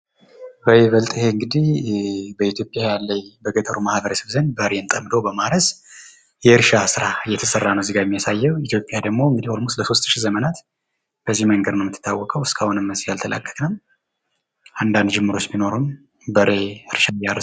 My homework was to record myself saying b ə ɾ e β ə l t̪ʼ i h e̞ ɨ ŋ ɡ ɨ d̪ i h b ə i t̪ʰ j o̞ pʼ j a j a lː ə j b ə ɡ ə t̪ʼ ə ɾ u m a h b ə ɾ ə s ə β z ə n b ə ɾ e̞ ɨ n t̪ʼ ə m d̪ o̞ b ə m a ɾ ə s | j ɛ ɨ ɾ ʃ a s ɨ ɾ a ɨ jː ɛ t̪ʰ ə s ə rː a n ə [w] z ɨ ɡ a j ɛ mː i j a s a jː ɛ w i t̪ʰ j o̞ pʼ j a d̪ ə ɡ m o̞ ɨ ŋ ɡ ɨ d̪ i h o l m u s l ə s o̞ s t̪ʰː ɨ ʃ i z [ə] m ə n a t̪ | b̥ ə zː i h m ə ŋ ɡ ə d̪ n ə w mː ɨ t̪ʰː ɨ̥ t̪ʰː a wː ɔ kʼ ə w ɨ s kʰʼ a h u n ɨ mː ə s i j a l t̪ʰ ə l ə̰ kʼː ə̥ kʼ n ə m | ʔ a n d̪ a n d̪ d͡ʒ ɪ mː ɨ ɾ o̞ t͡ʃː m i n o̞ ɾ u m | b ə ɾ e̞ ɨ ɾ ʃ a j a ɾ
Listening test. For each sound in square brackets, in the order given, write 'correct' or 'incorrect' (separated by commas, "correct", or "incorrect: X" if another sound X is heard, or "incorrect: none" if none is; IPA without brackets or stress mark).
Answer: correct, correct